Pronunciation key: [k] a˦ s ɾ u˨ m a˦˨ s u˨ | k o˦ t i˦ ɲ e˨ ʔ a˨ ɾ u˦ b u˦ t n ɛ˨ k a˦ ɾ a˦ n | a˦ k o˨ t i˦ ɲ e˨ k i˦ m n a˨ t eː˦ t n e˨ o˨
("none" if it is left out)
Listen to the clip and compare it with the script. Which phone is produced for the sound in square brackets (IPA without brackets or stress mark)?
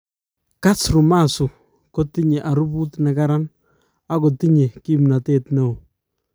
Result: k